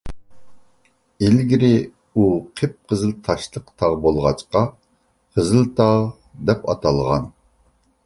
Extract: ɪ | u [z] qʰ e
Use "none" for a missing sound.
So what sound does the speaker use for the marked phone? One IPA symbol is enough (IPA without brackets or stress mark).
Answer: none